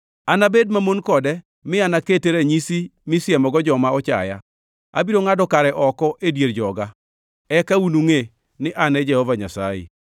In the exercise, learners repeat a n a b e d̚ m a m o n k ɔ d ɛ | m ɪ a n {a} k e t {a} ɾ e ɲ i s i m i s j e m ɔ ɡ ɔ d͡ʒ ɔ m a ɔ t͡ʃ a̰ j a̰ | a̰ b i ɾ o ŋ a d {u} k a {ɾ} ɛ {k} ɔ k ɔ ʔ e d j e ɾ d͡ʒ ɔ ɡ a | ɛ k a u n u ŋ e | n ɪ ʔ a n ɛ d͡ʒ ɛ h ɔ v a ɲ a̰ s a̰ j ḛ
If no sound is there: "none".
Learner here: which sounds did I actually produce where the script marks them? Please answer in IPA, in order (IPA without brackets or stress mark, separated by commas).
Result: a, e, ɔ, ɾ, ʔ